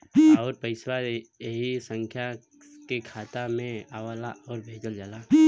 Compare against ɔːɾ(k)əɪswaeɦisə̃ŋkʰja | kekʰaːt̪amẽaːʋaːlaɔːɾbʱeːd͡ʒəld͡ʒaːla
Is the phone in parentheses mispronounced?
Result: yes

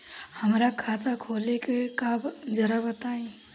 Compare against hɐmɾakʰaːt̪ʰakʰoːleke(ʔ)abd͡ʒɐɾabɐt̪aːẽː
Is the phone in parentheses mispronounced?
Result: yes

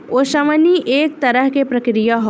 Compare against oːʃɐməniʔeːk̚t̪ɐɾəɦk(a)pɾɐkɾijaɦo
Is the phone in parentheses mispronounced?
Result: yes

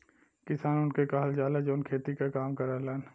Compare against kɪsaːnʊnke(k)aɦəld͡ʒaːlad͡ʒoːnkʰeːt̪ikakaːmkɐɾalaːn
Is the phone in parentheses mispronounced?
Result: no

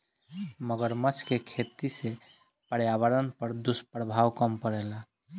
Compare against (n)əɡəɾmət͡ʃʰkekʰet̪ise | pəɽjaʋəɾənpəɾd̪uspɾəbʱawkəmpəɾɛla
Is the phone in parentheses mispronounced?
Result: yes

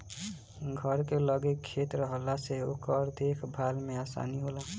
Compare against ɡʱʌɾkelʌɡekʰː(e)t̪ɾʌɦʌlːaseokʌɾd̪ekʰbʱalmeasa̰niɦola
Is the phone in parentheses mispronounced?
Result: no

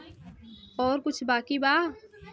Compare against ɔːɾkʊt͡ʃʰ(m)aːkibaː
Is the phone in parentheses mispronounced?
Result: yes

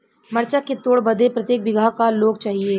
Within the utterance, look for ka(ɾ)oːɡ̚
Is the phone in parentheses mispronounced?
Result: yes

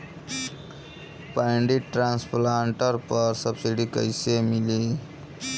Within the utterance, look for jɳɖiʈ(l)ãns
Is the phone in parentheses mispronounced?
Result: yes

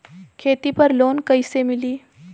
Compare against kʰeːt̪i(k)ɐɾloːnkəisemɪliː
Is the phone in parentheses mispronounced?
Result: yes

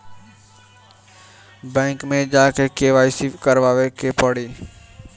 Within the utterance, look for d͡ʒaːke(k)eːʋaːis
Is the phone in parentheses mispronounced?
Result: no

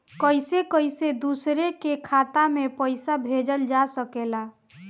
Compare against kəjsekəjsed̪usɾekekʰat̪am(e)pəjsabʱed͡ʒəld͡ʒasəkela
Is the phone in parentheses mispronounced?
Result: no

